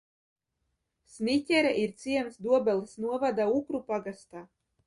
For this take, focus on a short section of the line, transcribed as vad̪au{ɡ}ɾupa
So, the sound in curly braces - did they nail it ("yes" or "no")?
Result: no